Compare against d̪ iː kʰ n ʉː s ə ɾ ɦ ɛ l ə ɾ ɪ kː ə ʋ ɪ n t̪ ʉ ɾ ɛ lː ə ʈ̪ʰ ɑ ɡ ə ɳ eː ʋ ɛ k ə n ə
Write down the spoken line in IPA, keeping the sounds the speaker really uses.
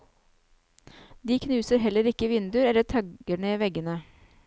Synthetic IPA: d̪ iː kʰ n ʉː s ə ɾ ɦ ɛ l ə ɾ ɪ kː ə ʋ ɪ n d̪ ʉ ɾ ɛ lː ə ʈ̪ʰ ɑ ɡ ə ɳ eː ʋ ɛ ɡ ə n ə